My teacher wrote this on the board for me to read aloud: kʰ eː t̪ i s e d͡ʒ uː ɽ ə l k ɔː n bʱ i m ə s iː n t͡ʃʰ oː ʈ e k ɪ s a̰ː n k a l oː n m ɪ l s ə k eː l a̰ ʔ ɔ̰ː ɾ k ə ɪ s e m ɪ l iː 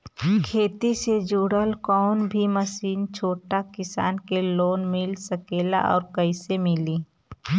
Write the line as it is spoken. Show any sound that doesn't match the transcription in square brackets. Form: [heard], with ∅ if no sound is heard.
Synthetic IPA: kʰ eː t̪ i s e d͡ʒ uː ɽ ə l k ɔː n bʱ i m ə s iː n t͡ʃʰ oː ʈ [a] k ɪ s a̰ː n k [e] l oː n m ɪ l s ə k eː l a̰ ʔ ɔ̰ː ɾ k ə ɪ s e m ɪ l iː